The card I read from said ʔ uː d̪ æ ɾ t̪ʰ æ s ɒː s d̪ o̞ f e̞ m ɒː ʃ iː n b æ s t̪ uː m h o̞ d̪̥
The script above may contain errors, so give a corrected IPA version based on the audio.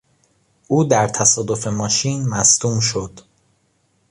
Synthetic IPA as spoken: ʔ uː d̪ æ ɾ t̪ʰ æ s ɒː d̪ o̞ f e̞ m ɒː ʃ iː n m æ s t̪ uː m ʃ o̞ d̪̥